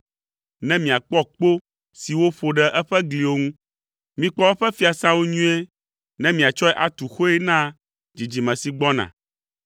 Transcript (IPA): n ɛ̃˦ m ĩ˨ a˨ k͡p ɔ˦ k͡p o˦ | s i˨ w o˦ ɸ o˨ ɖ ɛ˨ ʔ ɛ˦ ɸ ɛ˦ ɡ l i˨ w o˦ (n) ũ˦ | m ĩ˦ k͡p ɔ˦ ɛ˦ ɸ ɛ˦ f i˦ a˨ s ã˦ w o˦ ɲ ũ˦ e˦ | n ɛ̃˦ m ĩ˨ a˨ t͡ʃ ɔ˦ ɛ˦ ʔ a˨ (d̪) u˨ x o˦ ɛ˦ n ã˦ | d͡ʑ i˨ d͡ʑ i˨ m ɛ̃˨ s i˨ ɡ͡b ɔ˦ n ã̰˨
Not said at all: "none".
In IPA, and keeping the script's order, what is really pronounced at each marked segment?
ŋ, t̪

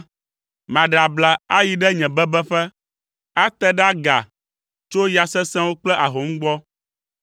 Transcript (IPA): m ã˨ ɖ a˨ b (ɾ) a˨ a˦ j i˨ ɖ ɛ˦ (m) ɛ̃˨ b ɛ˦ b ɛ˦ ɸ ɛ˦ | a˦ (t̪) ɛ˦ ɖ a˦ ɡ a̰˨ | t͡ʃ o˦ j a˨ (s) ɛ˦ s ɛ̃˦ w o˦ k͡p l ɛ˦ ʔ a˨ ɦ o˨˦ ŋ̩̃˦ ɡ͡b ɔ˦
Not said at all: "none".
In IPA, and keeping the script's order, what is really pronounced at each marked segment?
l, ɲ, t̪, s

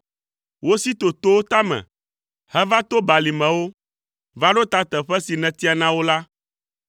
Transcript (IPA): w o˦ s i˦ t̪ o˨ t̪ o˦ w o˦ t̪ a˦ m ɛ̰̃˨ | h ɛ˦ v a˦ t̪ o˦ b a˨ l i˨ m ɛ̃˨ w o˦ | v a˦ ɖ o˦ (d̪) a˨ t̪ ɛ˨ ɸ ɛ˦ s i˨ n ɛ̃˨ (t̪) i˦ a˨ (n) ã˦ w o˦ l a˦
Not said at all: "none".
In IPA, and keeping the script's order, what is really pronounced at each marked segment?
t̪, t̪, n

